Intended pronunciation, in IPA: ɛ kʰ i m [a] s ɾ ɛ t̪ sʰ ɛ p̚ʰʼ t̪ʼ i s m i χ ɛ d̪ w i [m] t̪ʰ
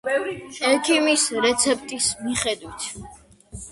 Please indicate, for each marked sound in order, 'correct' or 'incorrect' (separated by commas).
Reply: incorrect, incorrect